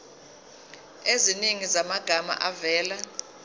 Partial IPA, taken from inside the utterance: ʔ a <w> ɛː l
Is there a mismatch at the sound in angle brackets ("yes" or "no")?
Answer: yes